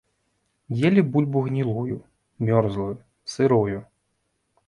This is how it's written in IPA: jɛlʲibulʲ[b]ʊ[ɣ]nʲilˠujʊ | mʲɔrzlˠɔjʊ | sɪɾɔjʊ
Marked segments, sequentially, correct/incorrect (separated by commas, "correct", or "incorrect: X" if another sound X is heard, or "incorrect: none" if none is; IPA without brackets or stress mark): correct, correct